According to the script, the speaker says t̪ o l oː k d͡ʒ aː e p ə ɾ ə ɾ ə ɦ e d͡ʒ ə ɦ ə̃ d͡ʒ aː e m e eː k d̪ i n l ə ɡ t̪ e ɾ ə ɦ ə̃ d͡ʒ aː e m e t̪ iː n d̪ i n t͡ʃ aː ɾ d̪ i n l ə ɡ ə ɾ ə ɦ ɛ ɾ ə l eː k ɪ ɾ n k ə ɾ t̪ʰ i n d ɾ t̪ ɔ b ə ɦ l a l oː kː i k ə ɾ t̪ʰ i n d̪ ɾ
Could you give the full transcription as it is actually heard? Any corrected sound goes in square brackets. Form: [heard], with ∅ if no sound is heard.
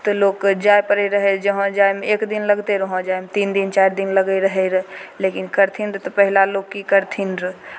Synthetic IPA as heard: t̪ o l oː k d͡ʒ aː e p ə ɾ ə ɾ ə ɦ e d͡ʒ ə ɦ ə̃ d͡ʒ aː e m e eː k d̪ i n l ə ɡ t̪ e ɾ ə ɦ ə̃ d͡ʒ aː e m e t̪ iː n d̪ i n t͡ʃ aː ɾ d̪ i n l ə ɡ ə ɾ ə ɦ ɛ ɾ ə l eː k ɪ [∅] n k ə ɾ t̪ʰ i n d ɾ t̪ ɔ [p] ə ɦ l a l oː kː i k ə ɾ t̪ʰ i n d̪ ɾ